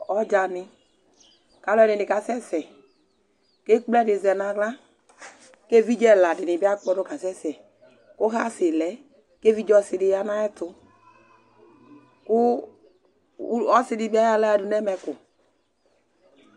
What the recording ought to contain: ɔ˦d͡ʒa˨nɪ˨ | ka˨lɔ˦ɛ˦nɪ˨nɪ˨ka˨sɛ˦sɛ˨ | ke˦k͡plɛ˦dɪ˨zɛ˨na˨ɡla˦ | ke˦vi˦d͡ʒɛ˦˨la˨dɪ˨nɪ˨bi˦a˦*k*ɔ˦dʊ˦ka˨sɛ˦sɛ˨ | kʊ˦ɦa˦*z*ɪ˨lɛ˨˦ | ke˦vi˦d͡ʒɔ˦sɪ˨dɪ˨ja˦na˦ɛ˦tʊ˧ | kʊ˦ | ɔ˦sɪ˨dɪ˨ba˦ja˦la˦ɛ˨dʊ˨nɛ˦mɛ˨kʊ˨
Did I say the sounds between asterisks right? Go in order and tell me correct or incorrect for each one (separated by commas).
incorrect, incorrect